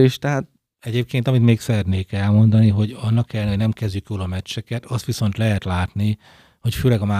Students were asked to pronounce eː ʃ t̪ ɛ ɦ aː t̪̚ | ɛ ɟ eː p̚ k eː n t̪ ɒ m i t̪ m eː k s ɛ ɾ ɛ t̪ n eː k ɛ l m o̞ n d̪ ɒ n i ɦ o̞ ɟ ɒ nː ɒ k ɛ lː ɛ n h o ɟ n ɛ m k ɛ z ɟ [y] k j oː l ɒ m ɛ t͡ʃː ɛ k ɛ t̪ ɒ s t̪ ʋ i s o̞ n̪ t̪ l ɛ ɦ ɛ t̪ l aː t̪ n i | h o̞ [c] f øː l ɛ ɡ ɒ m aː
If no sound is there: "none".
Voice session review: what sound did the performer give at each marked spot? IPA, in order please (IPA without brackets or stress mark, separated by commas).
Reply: y, c